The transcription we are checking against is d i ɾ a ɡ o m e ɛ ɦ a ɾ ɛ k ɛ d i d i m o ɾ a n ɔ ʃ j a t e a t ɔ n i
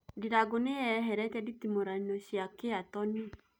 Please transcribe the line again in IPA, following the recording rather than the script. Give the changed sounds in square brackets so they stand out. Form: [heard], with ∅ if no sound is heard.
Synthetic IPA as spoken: d i ɾ a ɡ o [n] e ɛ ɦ [ɛ] ɾ ɛ k ɛ d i [t] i m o ɾ a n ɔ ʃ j a [k] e a t ɔ n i

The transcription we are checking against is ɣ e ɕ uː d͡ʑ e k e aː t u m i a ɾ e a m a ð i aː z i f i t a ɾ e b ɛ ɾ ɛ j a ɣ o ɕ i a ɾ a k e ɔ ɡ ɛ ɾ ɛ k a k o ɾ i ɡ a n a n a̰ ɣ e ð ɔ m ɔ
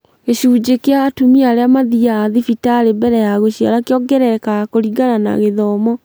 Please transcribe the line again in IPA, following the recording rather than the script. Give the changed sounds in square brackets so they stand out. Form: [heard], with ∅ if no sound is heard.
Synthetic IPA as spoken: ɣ e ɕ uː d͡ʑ e k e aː t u m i a ɾ e a m a ð i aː [ð] i f i t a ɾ e b ɛ ɾ ɛ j a ɣ o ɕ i a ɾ a k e ɔ ɡ ɛ ɾ ɛ k a k o ɾ i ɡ a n a n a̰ ɣ e ð ɔ m ɔ

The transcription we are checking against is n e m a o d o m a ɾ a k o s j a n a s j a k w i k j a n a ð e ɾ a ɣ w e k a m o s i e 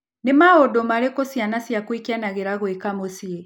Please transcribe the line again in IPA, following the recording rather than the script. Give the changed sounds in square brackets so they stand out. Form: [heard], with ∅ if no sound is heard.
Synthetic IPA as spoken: n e m a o d o m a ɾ [e] k o s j a n a s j a k w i k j a n a [ɣ] e ɾ a ɣ w e k a m o s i e

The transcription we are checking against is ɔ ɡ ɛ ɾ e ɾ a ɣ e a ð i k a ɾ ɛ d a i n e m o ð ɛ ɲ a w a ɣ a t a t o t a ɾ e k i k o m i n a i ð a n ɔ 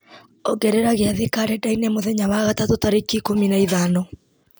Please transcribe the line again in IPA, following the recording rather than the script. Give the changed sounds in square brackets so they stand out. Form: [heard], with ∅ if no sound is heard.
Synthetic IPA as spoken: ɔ ɡ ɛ ɾ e ɾ a ɣ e a ð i k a ɾ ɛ d a i n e m o ð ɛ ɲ a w a ɣ a t a t o t a ɾ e k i k o m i n a i ð a n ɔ

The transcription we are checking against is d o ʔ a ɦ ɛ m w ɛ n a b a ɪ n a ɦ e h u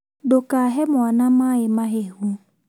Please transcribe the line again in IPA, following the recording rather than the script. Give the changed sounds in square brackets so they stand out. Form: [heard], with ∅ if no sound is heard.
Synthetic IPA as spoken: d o [k] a ɦ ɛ m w [a] n a [m] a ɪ [m] a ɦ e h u

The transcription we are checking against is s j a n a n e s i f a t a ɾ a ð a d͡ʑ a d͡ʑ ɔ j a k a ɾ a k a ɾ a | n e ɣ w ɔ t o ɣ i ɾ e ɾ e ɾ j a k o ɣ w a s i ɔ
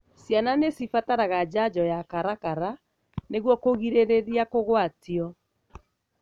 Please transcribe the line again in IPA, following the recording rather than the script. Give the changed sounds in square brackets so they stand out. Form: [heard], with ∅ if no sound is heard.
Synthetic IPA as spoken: s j a n a n e s i f a t a ɾ a [ɣ] a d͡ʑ a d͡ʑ ɔ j a k a ɾ a k a ɾ a | n e ɣ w ɔ [k] o ɣ i ɾ e ɾ e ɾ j a k o ɣ w a [t] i ɔ

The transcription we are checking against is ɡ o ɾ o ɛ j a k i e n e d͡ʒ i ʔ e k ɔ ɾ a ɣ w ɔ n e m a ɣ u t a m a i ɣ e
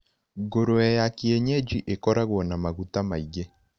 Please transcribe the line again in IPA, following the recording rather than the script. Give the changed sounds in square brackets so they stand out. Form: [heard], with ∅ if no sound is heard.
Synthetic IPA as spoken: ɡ o ɾ o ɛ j a k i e [ɲ] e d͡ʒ i ʔ e k ɔ ɾ a ɣ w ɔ n [a] m a ɣ u t a m a i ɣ e

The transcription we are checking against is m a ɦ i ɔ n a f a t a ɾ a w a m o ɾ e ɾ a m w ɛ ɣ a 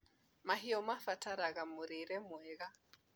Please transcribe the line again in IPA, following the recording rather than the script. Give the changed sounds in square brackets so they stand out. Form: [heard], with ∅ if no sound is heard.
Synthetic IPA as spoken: m a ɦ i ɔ [m] a f a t a ɾ a [ɣ] a m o ɾ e ɾ [ɛ] m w ɛ ɣ a

